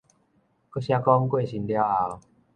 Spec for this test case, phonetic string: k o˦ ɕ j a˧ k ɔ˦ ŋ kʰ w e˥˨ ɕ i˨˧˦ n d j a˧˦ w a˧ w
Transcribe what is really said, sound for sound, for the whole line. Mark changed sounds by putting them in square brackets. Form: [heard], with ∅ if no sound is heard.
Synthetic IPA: k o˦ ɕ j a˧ k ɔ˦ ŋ [k] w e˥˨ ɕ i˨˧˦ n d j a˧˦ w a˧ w

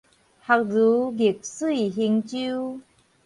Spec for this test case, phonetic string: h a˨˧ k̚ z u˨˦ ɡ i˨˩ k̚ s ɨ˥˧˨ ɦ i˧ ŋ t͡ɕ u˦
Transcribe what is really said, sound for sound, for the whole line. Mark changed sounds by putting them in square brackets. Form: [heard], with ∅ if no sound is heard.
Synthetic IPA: h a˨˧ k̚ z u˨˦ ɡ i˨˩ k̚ s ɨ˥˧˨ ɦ i˧ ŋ t͡ɕ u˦

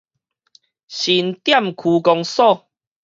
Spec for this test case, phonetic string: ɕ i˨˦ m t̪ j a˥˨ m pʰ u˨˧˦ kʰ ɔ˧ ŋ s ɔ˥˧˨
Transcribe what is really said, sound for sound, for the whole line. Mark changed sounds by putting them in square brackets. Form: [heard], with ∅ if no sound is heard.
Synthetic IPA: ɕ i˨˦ [n] t̪ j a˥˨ m [kʰ] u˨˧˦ [k] ɔ˧ ŋ s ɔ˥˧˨

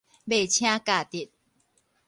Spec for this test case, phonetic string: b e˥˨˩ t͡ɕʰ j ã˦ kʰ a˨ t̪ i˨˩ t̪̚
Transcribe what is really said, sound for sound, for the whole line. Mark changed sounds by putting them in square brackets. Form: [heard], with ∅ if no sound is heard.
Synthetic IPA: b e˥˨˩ t͡ɕʰ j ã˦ [k] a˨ t̪ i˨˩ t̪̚

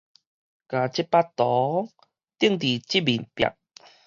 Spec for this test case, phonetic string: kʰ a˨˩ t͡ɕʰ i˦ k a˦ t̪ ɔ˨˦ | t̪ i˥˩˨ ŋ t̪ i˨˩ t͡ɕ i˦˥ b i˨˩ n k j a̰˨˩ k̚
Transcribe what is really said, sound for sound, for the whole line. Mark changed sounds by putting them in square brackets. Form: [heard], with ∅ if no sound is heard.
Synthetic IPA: [k] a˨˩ [t͡ɕ] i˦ [p] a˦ t̪ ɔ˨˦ | t̪ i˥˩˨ ŋ t̪ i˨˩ t͡ɕ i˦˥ b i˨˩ n [p] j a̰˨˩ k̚

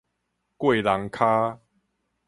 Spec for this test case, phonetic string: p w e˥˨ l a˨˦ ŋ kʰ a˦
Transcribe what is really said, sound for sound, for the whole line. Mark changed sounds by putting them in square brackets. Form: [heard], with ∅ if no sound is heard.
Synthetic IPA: [k] w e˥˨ l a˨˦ ŋ kʰ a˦

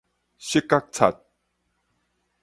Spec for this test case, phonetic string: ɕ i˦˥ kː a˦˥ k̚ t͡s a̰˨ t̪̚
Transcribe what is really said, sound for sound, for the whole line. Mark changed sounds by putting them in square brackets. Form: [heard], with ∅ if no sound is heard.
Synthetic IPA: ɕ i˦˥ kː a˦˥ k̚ [t͡sʰ] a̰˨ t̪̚

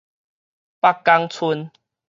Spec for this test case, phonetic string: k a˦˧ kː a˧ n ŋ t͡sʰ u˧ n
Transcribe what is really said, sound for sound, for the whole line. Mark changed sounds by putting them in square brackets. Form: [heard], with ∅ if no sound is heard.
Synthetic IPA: [p] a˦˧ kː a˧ [∅] ŋ t͡sʰ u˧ n

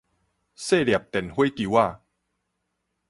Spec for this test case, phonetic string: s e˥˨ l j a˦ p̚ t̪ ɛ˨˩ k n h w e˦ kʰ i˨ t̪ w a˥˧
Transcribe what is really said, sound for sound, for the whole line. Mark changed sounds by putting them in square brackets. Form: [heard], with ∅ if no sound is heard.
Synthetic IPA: s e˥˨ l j [a˨˩] p̚ t̪ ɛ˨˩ [∅] n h w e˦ [k] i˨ [∅] w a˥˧

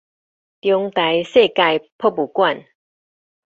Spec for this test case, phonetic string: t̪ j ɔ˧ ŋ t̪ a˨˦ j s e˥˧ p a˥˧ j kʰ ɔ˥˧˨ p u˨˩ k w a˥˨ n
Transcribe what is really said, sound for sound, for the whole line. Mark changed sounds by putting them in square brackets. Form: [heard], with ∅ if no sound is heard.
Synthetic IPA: t̪ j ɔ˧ ŋ t̪ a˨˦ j s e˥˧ [k] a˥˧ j [pʰ] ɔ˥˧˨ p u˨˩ k w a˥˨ n

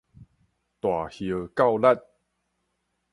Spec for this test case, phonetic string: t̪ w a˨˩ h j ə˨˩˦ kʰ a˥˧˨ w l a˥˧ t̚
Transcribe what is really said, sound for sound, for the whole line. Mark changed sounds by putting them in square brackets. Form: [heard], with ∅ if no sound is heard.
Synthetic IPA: t̪ w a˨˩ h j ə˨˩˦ [k] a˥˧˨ w l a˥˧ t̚

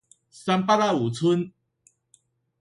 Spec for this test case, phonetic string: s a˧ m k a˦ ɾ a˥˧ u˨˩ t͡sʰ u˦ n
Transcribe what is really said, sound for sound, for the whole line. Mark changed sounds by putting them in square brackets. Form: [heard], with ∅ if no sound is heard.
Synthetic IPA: s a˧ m [p] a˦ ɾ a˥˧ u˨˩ t͡sʰ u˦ n

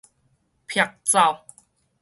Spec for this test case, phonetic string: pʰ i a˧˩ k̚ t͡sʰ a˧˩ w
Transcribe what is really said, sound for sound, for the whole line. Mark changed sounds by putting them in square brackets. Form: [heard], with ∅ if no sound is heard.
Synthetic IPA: pʰ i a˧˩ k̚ [t͡s] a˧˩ w

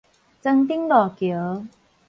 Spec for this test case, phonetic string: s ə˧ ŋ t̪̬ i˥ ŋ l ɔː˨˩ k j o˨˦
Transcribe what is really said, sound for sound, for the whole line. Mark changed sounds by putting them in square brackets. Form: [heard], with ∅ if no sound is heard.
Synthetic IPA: [t͡s] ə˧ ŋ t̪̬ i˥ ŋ l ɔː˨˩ k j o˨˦

